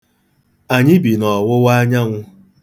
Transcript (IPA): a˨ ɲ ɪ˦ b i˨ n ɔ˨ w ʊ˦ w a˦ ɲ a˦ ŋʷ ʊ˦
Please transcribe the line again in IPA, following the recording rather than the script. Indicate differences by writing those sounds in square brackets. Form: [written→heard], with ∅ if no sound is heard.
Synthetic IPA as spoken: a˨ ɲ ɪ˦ b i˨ n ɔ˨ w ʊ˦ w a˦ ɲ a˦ ŋʷ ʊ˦